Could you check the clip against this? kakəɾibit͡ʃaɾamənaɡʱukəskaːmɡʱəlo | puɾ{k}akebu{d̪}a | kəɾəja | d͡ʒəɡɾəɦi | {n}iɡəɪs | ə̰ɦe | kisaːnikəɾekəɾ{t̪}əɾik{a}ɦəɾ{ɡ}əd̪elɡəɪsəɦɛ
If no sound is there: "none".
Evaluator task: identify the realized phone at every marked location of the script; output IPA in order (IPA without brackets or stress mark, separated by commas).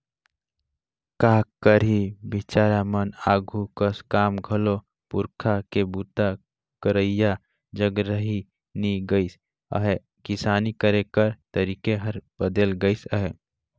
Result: kʰ, t̪, n, t̪, e, b